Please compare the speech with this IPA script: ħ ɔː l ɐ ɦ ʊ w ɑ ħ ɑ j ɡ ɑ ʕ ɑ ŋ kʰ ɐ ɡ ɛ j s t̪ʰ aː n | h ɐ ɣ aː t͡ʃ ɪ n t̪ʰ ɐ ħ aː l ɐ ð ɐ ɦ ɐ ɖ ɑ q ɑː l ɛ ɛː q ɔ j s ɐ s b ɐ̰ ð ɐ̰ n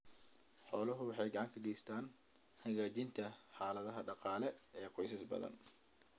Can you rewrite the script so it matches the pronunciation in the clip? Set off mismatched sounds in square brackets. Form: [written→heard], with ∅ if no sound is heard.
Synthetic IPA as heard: ħ ɔː l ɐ ɦ ʊ w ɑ ħ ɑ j ɡ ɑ ʕ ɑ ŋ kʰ ɐ ɡ ɛ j s t̪ʰ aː n | h ɐ ɣ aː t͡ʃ ɪ n t̪ʰ ɐ ħ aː l ɐ ð ɐ ɦ ɐ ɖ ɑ q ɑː l ɛ ɛː q ɔ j s ɐ s b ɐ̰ ð ɐ̰ n